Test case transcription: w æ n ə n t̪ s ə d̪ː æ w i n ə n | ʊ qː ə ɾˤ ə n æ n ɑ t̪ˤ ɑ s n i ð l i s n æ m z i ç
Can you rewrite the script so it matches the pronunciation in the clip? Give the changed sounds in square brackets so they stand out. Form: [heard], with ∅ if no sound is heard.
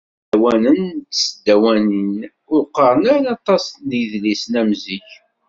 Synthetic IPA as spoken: w æ n ə n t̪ s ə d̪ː æ w [æ] n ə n | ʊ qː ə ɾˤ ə n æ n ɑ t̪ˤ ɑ s n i ð l i s n æ m z i ç